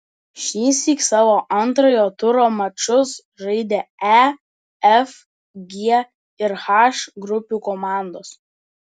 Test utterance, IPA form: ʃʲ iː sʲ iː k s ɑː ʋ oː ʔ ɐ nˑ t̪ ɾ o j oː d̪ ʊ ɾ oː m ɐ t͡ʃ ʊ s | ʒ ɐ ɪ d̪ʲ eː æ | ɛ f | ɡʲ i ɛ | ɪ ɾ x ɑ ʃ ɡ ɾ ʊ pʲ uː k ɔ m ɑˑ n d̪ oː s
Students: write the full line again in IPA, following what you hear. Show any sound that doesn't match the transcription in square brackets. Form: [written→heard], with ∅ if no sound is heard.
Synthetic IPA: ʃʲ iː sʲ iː k s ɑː ʋ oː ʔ ɐ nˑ t̪ ɾ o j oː [d̪→t̪] ʊ ɾ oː m ɐ t͡ʃ ʊ s | ʒ ɐ ɪ d̪ʲ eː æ | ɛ f | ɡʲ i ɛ | ɪ ɾ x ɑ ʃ ɡ ɾ ʊ pʲ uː k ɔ m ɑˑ n d̪ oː s